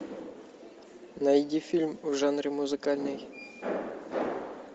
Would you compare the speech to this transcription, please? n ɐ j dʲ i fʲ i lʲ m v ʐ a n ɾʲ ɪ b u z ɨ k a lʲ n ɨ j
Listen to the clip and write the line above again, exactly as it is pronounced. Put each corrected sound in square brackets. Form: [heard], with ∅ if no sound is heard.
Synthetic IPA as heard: n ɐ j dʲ i fʲ i lʲ m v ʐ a n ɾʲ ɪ [m] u z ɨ k a lʲ n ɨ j